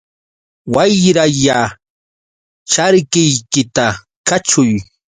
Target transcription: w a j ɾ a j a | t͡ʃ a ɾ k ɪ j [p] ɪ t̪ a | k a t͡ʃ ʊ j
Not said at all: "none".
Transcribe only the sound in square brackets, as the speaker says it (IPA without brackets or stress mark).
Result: k